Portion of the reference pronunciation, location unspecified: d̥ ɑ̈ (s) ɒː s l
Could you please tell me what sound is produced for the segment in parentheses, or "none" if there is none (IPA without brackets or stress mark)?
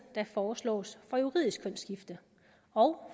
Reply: f